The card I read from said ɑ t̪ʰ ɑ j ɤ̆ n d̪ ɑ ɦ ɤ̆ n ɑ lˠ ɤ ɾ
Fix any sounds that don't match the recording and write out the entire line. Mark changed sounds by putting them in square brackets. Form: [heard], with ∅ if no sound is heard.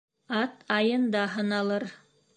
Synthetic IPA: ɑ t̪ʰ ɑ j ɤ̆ n d̪ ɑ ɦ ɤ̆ n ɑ lˠ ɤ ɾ